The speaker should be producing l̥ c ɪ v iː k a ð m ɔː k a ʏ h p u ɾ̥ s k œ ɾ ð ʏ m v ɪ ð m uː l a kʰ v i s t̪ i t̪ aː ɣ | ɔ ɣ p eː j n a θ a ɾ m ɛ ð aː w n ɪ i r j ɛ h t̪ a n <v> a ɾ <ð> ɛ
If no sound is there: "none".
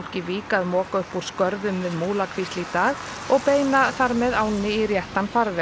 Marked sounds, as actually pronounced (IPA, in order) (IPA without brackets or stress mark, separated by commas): f, v